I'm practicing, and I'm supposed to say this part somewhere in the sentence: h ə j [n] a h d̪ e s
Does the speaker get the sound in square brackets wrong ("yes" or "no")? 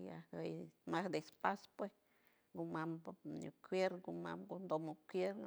yes